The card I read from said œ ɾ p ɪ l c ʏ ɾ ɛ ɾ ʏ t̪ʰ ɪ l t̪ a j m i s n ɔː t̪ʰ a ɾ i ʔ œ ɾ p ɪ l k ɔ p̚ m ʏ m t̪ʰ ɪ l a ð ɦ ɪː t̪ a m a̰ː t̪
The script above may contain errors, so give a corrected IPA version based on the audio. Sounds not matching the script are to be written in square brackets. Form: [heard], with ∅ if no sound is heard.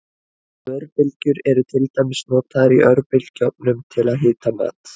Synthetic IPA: œ ɾ p ɪ l c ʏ ɾ ɛ ɾ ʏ t̪ʰ ɪ l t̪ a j m [ɪ] s n ɔː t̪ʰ a ɾ i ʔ œ ɾ p ɪ l [c] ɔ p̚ [n] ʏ m t̪ʰ ɪ l a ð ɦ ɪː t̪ a m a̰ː t̪